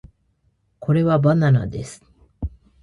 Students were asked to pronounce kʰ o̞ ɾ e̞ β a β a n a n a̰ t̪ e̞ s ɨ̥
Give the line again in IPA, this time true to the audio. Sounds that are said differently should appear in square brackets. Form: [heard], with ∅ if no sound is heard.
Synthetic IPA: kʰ o̞ ɾ e̞ β a [b] a n a n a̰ [d̪] e̞ s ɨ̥